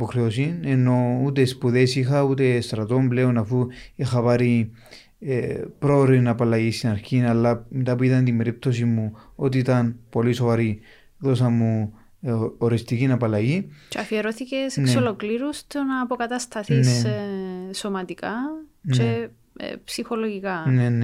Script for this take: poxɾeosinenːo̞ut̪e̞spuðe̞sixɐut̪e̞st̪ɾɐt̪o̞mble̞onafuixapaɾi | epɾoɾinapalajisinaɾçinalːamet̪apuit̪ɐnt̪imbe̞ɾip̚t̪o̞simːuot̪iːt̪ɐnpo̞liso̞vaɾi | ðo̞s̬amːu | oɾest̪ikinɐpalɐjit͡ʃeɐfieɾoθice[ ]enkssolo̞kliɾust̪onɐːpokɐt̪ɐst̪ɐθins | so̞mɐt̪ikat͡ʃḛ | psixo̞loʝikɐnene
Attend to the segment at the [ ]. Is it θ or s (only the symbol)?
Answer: s